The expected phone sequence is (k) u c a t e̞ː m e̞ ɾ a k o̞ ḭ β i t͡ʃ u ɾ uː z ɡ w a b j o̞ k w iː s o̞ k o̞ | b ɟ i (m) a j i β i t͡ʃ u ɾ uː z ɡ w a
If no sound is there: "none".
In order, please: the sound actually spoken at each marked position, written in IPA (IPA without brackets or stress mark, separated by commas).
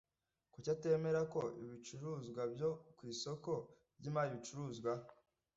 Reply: k, m